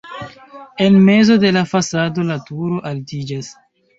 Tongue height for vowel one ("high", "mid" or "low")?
mid